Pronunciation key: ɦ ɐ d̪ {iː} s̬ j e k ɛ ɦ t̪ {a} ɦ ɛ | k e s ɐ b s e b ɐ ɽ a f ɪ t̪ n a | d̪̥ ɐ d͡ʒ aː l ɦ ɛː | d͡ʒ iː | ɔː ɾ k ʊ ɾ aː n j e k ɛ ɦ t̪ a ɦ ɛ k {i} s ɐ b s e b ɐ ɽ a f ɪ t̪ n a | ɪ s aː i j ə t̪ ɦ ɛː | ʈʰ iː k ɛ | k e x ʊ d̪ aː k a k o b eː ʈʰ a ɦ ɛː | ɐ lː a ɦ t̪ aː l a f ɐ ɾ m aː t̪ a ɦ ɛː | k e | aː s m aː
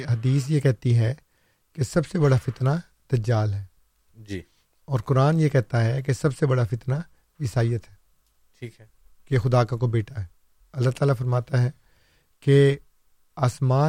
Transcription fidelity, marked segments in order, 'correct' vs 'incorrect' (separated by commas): correct, incorrect, incorrect